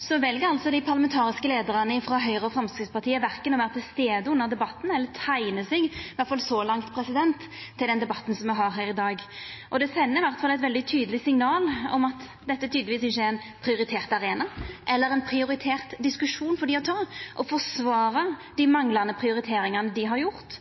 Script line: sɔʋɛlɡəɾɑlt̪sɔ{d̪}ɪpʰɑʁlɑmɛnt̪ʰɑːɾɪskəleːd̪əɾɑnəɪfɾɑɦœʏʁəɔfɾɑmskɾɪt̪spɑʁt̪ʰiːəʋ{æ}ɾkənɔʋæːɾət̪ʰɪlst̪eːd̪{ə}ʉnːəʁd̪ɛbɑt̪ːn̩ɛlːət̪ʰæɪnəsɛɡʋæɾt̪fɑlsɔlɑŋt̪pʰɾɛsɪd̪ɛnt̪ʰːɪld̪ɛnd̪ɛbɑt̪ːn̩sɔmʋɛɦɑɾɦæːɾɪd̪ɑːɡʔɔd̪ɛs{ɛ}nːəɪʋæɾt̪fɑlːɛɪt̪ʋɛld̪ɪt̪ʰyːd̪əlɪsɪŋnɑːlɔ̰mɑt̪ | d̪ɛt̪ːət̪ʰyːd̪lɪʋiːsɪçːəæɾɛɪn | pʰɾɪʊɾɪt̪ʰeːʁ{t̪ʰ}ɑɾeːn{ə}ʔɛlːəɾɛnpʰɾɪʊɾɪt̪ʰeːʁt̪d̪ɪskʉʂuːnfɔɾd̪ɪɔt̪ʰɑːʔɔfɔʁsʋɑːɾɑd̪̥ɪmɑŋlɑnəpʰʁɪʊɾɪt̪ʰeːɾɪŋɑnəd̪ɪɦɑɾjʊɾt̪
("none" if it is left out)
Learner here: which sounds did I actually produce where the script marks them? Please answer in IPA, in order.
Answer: d̪, æ, ə, ɛ, t̪, ɑ

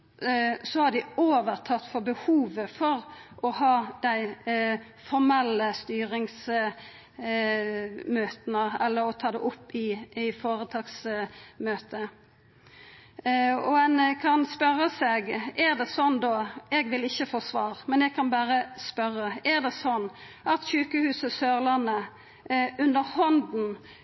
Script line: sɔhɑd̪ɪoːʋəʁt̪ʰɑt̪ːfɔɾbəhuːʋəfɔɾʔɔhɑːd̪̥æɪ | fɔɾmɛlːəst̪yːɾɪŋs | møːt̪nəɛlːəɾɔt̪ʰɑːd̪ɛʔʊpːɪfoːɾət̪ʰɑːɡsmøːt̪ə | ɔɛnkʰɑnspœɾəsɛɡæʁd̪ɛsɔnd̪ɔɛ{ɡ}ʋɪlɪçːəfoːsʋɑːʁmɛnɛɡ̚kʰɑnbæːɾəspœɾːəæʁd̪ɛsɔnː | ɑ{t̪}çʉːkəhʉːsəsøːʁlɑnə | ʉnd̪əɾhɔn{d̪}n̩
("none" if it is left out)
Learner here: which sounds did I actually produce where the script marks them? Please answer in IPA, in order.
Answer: ɡ, t̪, d̪

